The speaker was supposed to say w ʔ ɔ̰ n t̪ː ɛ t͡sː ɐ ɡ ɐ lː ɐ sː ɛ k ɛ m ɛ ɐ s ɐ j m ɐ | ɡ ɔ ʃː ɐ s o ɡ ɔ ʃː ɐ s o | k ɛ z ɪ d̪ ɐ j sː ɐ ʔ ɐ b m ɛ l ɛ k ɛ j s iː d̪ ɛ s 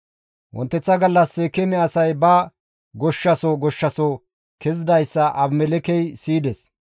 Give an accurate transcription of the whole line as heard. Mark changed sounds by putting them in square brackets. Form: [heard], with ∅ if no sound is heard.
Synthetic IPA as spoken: w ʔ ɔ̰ n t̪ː ɛ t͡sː ɐ ɡ ɐ lː ɐ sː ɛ k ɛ m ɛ ɐ s ɐ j [b] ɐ | ɡ ɔ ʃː ɐ s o ɡ ɔ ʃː ɐ s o | k ɛ z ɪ d̪ ɐ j sː ɐ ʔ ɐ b m ɛ l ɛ k ɛ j s iː d̪ ɛ s

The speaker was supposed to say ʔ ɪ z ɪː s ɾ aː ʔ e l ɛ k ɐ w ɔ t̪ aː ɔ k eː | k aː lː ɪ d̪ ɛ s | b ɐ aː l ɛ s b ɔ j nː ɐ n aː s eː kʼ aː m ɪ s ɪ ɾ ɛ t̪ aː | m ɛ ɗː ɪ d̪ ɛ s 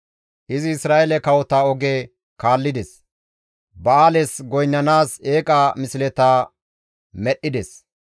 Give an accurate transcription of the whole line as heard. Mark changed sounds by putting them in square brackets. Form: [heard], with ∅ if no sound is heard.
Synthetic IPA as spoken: ʔ ɪ z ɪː s ɾ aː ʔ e l ɛ k ɐ w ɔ t̪ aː ɔ [ɡ] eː | k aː lː ɪ d̪ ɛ s | b ɐ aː l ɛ s [ɡ] ɔ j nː ɐ n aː s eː kʼ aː m ɪ s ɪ [l] ɛ t̪ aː | m ɛ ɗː ɪ d̪ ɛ s

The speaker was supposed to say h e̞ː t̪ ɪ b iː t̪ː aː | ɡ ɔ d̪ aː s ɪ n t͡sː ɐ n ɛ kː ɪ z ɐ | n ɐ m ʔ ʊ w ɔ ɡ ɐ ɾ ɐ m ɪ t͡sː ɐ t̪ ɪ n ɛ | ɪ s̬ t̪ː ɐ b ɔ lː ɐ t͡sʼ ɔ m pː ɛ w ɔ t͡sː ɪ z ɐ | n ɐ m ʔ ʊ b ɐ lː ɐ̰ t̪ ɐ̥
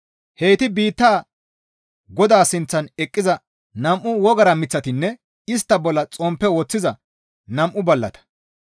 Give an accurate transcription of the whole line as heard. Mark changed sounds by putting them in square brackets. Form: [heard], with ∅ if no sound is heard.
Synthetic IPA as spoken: h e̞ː t̪ ɪ b iː t̪ː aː | ɡ ɔ d̪ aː s ɪ n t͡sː ɐ n ɛ [kʼː] ɪ z ɐ | n ɐ m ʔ ʊ w ɔ ɡ ɐ ɾ ɐ m ɪ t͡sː ɐ t̪ ɪ [nː] ɛ | ɪ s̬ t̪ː ɐ b ɔ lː ɐ t͡sʼ ɔ m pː ɛ w ɔ t͡sː ɪ z ɐ | n ɐ m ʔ ʊ b ɐ lː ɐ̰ t̪ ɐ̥

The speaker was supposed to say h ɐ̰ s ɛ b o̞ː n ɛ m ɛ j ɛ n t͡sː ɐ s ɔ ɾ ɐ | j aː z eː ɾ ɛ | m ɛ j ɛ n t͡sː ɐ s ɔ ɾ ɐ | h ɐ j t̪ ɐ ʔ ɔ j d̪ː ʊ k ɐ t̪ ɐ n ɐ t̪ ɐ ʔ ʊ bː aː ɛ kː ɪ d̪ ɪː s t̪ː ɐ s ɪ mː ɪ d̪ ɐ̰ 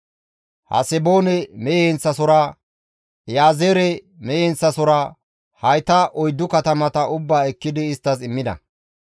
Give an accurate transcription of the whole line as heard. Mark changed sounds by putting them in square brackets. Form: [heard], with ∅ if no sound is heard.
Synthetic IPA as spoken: h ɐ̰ s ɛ b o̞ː n ɛ m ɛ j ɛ n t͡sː ɐ s ɔ ɾ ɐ | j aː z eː ɾ ɛ | m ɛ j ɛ n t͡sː ɐ s ɔ ɾ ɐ | h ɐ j t̪ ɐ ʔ ɔ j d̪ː ʊ k ɐ t̪ ɐ [m] ɐ t̪ ɐ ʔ ʊ bː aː ɛ kː ɪ d̪ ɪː s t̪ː ɐ s ɪ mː ɪ d̪ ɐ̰

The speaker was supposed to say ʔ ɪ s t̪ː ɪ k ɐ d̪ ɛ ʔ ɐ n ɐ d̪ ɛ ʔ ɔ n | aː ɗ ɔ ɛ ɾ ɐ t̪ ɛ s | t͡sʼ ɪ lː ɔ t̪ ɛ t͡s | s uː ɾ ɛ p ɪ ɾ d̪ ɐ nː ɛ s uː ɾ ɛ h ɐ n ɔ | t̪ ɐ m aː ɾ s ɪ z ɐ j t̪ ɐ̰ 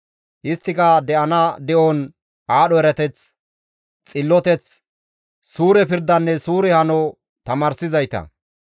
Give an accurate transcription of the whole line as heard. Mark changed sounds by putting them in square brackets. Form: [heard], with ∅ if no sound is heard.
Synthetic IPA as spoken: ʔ ɪ s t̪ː ɪ k ɐ d̪ ɛ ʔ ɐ n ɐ d̪ ɛ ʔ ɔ n | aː ɗ ɔ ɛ ɾ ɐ t̪ ɛ [t͡s] | t͡sʼ ɪ lː ɔ t̪ ɛ t͡s | s uː ɾ ɛ p ɪ ɾ d̪ ɐ nː ɛ s uː ɾ ɛ h ɐ n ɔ | t̪ ɐ m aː ɾ s ɪ z ɐ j t̪ ɐ̰

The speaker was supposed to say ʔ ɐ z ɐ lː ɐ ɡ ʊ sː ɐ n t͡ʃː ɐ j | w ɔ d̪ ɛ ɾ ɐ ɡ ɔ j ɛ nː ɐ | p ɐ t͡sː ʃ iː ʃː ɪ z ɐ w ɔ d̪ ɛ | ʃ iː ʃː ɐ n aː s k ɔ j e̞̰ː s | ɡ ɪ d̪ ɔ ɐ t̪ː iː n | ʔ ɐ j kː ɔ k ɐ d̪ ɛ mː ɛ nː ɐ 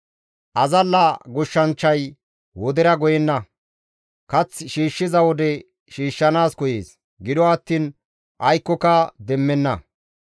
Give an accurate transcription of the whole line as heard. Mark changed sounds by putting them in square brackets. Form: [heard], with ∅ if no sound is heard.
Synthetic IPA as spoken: ʔ ɐ z ɐ lː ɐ ɡ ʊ [ʃː] ɐ n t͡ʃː ɐ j | w ɔ d̪ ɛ ɾ ɐ ɡ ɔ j ɛ nː ɐ | [k] ɐ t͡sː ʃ iː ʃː ɪ z ɐ w ɔ d̪ ɛ | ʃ iː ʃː ɐ n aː s k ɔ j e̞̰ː s | ɡ ɪ d̪ ɔ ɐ t̪ː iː n | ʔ ɐ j kː ɔ k ɐ d̪ ɛ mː ɛ nː ɐ

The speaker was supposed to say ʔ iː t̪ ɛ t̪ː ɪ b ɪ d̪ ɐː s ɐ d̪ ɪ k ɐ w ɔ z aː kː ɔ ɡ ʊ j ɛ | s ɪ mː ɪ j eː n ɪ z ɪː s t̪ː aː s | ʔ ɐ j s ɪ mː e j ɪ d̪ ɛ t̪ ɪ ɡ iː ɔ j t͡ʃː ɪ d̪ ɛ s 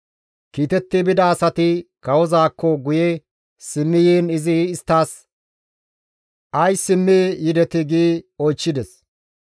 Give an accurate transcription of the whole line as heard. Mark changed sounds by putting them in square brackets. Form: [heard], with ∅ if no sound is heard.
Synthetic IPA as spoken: [k] iː t̪ ɛ t̪ː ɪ b ɪ d̪ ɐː s ɐ [t̪] ɪ k ɐ w ɔ z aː kː ɔ ɡ ʊ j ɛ | s ɪ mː ɪ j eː n ɪ z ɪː s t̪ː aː s | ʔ ɐ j s ɪ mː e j ɪ d̪ ɛ t̪ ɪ ɡ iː ɔ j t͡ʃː ɪ d̪ ɛ s

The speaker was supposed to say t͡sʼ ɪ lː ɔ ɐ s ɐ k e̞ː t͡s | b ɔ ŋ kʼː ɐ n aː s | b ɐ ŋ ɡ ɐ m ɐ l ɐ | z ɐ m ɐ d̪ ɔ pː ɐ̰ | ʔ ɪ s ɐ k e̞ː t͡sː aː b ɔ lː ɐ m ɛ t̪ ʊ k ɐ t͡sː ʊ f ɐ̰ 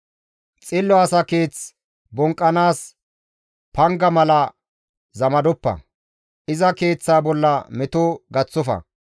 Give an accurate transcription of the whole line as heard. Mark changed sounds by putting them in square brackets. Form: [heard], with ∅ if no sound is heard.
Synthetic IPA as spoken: t͡sʼ ɪ lː ɔ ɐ s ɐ k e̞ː t͡s | b ɔ ŋ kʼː ɐ n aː s | [p] ɐ ŋ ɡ ɐ m ɐ l ɐ | z ɐ m ɐ d̪ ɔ pː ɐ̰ | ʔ ɪ [z] ɐ k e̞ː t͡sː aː b ɔ lː ɐ m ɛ t̪ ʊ [ɡ] ɐ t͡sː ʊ f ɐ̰

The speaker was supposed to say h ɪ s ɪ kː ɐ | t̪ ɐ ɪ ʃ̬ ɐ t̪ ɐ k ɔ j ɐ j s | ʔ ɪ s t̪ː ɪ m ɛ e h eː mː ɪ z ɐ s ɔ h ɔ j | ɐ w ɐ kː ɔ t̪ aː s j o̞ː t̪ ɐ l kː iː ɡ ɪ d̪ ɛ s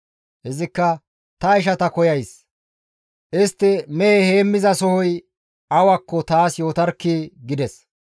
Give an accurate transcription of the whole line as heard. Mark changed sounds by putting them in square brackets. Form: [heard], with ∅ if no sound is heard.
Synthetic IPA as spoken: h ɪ [z] ɪ kː ɐ | t̪ ɐ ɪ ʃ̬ ɐ t̪ ɐ k ɔ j ɐ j s | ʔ ɪ s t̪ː ɪ m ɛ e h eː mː ɪ z ɐ s ɔ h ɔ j | ɐ w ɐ kː ɔ t̪ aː s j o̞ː t̪ ɐ [ɾ] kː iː ɡ ɪ d̪ ɛ s

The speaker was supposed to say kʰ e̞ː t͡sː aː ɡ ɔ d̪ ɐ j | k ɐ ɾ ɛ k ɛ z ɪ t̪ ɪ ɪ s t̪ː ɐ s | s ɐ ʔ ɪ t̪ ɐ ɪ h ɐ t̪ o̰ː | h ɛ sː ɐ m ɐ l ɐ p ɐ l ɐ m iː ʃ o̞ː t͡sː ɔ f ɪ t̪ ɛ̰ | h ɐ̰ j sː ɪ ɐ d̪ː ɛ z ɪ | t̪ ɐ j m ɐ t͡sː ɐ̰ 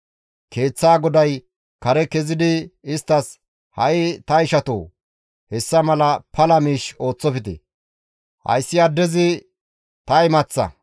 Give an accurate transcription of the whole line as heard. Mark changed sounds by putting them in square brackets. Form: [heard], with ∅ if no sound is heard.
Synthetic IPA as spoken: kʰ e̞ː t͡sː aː ɡ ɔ d̪ ɐ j | k ɐ ɾ ɛ k ɛ z ɪ [d̪] ɪ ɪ s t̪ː ɐ s | [h] ɐ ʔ ɪ t̪ ɐ ɪ [ʃ] ɐ t̪ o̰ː | h ɛ sː ɐ m ɐ l ɐ p ɐ l ɐ m iː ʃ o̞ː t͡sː ɔ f ɪ t̪ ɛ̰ | h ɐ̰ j sː ɪ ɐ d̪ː ɛ z ɪ | t̪ ɐ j m ɐ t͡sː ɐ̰

